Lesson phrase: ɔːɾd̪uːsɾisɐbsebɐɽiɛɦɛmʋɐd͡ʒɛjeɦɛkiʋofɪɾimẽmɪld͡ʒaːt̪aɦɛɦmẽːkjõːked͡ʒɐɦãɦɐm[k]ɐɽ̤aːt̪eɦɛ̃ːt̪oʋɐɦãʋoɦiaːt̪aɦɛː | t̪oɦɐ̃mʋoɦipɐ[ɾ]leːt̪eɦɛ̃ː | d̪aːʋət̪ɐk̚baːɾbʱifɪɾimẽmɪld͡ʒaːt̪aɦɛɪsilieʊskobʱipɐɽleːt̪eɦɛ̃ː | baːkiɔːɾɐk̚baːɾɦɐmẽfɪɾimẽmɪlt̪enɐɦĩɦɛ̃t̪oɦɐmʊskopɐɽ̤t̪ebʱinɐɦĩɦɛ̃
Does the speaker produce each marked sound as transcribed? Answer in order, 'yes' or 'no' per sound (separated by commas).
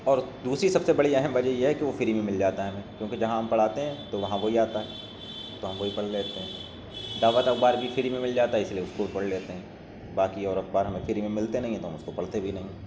no, no